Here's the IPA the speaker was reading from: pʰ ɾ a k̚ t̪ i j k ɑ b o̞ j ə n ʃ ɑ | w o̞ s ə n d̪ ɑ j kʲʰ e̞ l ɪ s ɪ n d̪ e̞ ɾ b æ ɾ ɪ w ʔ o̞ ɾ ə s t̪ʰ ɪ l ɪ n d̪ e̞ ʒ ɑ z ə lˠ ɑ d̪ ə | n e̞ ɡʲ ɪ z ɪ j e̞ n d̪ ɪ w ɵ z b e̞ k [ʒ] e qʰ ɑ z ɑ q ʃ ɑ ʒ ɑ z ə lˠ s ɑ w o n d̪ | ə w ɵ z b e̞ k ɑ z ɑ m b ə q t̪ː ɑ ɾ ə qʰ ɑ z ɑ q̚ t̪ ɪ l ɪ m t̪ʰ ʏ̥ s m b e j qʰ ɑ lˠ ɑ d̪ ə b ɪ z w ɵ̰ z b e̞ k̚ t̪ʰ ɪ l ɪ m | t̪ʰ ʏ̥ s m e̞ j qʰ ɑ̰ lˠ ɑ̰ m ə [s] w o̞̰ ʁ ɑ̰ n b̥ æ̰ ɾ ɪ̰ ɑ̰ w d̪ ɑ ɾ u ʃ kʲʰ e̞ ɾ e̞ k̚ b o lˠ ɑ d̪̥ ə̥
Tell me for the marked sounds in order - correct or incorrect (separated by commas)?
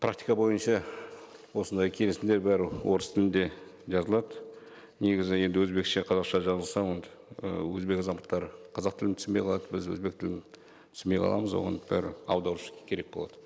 incorrect, incorrect